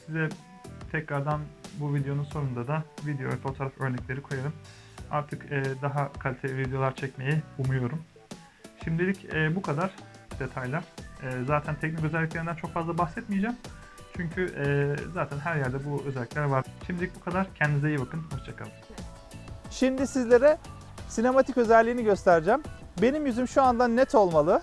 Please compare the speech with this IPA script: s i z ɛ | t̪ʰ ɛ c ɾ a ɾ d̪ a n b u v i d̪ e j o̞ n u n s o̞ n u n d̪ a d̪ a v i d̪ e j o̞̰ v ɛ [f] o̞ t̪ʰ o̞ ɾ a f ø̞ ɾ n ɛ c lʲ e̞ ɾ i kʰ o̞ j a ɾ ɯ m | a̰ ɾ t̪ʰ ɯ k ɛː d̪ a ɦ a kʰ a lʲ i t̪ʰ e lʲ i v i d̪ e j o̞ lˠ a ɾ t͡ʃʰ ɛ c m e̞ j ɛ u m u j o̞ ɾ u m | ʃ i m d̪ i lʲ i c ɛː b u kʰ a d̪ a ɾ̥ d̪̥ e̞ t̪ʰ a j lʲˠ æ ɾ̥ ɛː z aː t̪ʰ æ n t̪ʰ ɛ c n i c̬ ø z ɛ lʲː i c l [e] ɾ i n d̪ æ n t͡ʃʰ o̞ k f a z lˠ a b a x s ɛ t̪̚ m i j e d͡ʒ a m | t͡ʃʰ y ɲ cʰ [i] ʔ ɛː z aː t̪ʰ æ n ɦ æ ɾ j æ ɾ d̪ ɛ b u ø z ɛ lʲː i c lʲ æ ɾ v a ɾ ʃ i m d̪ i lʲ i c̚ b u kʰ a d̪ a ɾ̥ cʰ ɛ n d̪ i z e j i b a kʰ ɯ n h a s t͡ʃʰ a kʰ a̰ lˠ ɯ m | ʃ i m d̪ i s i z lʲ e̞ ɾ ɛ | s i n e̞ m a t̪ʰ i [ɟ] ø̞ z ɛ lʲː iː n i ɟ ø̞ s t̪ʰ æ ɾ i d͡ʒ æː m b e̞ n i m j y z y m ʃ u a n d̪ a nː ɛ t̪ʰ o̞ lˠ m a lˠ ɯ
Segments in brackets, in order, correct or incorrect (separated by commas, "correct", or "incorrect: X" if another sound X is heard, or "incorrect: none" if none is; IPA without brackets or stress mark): correct, correct, incorrect: y, incorrect: c